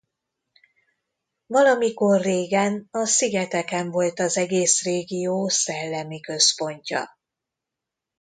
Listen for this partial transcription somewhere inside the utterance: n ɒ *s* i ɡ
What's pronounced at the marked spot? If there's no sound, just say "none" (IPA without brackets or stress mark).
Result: s